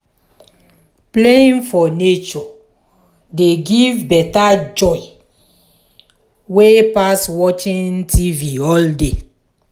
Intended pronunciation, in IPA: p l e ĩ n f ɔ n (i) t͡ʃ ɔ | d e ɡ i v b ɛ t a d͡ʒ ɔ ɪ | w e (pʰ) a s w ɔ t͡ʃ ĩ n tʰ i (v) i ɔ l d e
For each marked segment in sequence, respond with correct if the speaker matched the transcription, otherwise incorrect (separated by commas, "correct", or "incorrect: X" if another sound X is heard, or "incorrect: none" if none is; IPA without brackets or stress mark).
incorrect: e, incorrect: p, correct